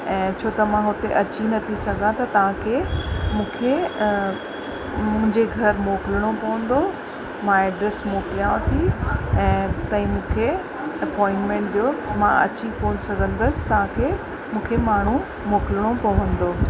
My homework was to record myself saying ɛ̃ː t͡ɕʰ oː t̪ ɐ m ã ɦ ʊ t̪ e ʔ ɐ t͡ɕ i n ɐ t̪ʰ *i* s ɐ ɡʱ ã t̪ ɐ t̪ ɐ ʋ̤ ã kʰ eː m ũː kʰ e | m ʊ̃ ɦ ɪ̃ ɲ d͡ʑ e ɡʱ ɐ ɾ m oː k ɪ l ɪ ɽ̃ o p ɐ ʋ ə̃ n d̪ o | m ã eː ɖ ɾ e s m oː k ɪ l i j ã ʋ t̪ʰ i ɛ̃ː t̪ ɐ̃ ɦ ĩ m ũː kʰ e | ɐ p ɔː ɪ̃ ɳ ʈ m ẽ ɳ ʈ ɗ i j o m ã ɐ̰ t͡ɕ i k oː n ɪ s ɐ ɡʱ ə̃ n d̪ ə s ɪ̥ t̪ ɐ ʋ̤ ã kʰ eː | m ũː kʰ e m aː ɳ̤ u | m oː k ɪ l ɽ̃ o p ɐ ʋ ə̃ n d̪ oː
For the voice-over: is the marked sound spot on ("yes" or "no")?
yes